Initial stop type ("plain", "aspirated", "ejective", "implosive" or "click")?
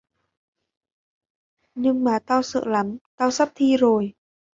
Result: plain